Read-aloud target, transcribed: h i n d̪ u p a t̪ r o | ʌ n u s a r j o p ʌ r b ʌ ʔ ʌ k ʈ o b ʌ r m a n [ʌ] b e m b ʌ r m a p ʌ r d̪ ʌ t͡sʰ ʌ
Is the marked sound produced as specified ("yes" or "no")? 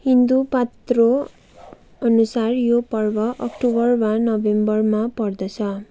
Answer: yes